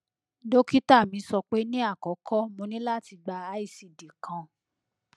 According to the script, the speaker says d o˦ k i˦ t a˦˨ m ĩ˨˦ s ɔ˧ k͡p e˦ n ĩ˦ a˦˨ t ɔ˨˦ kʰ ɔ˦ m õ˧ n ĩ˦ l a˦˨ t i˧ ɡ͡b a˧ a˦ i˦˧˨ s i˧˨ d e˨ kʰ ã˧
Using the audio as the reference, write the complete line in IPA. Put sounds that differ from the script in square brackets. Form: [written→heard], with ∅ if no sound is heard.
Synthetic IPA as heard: d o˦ k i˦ t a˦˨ m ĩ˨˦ s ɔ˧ k͡p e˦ n ĩ˦ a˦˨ [t→k] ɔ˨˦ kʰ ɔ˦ m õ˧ n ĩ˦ l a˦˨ t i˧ ɡ͡b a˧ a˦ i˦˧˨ s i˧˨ d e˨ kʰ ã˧